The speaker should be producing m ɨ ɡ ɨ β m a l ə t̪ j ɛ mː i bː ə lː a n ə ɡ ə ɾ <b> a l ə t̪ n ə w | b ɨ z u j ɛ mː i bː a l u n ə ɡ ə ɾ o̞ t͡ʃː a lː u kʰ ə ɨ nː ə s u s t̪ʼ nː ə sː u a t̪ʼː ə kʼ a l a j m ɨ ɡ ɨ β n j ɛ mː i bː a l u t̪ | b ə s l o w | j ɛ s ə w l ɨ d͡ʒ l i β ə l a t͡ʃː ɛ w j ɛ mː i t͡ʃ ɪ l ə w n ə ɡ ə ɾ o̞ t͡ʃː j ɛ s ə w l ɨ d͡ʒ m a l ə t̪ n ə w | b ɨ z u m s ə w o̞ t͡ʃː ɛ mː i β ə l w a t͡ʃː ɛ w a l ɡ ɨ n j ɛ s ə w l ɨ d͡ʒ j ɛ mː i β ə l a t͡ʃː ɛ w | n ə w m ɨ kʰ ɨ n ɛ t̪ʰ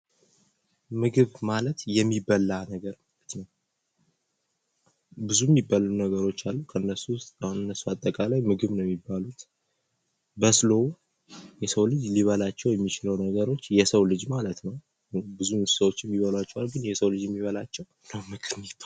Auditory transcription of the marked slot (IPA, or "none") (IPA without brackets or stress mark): m